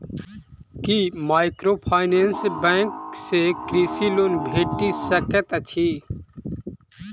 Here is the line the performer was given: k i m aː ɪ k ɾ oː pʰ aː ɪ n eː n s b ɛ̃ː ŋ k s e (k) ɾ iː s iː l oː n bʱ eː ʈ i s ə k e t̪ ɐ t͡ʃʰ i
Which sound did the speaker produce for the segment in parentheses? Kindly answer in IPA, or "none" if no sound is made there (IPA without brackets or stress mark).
k